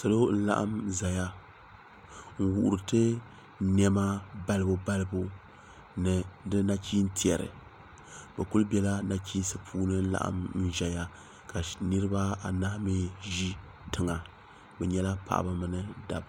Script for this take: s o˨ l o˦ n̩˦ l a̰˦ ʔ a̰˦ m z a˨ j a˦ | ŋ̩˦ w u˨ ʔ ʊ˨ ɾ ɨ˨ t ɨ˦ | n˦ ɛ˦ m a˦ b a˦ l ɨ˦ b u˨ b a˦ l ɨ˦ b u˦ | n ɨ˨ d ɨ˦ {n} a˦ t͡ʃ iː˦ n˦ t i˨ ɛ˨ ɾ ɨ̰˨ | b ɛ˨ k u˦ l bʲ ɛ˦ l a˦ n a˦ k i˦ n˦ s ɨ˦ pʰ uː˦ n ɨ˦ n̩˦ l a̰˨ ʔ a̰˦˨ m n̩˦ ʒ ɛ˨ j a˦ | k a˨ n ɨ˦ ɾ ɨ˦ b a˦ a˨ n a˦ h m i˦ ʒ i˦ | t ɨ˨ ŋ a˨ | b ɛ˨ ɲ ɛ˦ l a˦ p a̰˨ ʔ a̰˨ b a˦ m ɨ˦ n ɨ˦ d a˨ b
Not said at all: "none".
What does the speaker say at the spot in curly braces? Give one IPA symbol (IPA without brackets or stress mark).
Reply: n